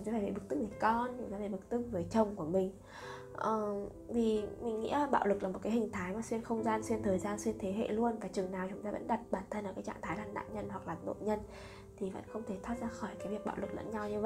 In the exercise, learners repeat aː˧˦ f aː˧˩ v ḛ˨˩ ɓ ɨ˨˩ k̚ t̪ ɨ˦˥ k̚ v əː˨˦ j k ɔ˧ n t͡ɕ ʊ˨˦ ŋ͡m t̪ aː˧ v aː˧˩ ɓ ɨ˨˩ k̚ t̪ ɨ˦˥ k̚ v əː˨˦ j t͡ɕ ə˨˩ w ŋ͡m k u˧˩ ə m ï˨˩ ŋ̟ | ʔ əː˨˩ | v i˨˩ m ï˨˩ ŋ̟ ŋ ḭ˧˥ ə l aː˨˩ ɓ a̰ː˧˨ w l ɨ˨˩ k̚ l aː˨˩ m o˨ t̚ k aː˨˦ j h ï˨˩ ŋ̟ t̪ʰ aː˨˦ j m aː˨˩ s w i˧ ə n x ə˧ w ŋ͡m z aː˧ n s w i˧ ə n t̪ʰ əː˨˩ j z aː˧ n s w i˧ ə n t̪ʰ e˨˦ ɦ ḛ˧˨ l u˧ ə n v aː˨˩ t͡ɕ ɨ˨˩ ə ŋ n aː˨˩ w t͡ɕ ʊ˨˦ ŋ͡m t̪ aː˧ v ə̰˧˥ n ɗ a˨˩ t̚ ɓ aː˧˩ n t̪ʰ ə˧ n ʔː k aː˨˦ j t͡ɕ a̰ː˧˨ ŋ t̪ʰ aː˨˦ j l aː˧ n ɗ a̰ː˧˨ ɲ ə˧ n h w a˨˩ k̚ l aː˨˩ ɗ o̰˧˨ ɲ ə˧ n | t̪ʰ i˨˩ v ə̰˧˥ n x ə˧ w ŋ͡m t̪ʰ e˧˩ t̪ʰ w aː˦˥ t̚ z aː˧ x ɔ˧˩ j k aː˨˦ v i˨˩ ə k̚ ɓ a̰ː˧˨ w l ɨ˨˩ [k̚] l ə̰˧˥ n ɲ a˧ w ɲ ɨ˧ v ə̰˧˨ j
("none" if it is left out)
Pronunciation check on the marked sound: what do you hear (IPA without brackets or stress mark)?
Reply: k̚